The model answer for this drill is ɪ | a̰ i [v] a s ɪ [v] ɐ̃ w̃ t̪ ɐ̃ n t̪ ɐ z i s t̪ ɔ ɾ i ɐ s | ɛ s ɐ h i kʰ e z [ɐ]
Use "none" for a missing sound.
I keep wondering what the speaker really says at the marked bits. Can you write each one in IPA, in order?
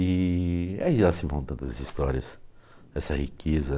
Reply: ʒ, v, ɐ

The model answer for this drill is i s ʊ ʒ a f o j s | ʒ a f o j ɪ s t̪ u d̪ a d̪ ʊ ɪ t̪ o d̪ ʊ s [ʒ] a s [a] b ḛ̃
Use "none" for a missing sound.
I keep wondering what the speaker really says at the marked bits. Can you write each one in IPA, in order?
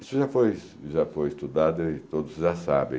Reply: ʒ, a

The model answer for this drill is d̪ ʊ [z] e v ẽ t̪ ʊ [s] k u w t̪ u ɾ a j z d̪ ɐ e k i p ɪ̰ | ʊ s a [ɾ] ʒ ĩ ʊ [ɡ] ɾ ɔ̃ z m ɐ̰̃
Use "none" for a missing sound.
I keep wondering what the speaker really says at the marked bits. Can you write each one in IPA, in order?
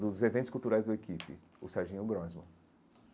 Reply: z, s, ɾ, ɡ

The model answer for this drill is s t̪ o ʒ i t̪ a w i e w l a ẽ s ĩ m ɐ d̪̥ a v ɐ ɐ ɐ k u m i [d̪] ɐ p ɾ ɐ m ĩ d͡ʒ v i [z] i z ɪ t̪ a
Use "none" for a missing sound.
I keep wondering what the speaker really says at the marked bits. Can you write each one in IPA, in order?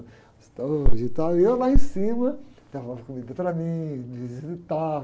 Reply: d̪, z

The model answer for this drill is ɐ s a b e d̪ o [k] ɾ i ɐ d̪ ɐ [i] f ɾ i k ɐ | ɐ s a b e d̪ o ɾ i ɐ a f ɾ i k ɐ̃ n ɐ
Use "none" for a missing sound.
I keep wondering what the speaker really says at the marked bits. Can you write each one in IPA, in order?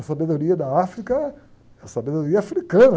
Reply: none, a

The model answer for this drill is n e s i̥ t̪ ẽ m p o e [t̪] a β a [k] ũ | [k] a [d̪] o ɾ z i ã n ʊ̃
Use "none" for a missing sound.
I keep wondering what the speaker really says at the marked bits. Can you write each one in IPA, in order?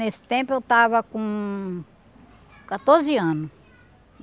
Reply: t̪, k, k, t̪

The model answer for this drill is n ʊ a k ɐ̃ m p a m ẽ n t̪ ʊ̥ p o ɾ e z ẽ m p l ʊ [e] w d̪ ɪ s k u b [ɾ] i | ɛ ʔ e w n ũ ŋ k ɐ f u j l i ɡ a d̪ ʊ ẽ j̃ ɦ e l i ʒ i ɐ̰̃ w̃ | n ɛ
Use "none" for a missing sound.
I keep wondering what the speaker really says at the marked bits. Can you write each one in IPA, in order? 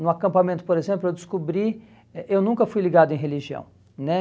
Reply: e, ɾ

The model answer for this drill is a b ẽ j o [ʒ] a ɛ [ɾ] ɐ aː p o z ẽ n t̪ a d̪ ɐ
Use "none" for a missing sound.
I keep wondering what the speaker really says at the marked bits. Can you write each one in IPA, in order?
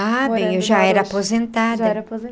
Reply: ʒ, ɾ

